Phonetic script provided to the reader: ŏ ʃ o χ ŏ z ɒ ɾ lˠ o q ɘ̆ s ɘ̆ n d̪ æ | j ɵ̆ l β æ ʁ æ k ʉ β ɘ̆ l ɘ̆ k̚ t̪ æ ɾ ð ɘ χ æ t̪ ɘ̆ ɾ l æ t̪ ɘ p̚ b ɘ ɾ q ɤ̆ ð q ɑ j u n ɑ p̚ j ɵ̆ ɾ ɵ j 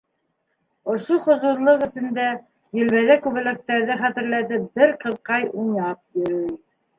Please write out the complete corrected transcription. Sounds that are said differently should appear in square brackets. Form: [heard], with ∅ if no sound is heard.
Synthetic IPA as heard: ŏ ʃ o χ ŏ z [u] ɾ lˠ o q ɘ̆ s ɘ̆ n d̪ æ | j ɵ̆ l β æ [ð] æ k ʉ β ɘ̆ l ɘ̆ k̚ t̪ æ ɾ ð ɘ χ æ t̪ ɘ̆ ɾ l æ t̪ ɘ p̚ b ɘ ɾ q ɤ̆ ð q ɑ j u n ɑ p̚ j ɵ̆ ɾ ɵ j